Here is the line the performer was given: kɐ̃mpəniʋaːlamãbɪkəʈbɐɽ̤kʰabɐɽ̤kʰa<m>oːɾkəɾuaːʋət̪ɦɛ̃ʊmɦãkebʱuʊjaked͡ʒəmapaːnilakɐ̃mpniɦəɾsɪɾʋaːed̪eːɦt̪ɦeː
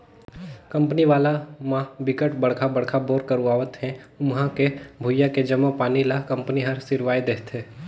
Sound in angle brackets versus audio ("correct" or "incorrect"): incorrect